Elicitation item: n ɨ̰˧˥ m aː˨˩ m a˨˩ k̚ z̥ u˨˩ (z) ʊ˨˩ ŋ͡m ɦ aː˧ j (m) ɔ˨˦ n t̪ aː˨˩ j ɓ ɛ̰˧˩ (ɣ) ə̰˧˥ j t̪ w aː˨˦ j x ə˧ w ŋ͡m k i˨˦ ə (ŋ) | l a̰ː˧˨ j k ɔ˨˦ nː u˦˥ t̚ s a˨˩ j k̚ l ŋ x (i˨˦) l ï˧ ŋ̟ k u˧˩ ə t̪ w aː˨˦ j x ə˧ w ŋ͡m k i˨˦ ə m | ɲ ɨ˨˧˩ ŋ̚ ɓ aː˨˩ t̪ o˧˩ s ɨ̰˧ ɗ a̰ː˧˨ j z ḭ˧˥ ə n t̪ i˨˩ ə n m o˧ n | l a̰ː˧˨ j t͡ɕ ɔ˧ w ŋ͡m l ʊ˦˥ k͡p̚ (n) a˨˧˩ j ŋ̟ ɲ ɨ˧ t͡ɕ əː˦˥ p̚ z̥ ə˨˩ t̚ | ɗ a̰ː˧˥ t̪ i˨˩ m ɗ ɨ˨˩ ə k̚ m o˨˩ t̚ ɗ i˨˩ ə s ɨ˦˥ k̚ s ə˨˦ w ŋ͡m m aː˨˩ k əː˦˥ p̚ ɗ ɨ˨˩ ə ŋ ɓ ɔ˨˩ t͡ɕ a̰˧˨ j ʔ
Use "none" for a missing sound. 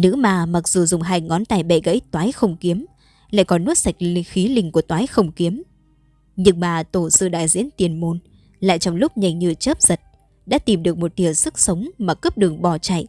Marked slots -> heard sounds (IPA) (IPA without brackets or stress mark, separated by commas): z, ŋ, ɣ, m, i˨˦, ɲ